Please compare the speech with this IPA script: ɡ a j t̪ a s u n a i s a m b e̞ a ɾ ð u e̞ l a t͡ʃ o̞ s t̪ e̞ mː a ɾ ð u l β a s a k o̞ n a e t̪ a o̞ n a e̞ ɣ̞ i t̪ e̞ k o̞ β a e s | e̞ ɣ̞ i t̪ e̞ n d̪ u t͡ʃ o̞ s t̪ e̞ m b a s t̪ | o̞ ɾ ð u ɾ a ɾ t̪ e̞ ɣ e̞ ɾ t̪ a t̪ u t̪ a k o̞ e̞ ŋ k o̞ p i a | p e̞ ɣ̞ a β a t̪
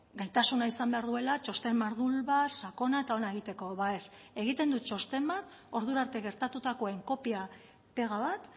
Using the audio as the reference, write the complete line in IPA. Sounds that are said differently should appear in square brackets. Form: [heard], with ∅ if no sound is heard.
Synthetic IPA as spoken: ɡ a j t̪ a s u n a i s a m b e̞ a ɾ ð u e̞ l a t͡ʃ o̞ s t̪ e̞ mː a ɾ ð u l β a s a k o̞ n a e t̪ a o̞ n a e̞ ɣ̞ i t̪ e̞ k o̞ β a e s | e̞ ɣ̞ i t̪ e̞ n d̪ u t͡ʃ o̞ s t̪ e̞ m b a [∅] t̪ | o̞ ɾ ð u ɾ a ɾ t̪ e̞ ɣ e̞ ɾ t̪ a t̪ u t̪ a k o̞ e̞ ŋ k o̞ p i a | p e̞ ɣ̞ a β a t̪